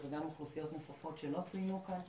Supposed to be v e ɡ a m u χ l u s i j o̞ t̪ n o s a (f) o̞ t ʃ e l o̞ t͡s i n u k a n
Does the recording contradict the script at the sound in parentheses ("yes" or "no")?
no